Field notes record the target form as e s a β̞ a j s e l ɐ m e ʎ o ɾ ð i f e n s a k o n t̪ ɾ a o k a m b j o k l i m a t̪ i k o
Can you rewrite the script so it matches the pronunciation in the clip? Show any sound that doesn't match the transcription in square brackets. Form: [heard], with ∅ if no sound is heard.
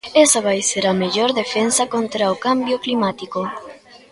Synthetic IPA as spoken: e s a β̞ a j s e [ɾ] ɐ m e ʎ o ɾ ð [e] f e n s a k o n t̪ ɾ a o k a m b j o k l i m a t̪ i k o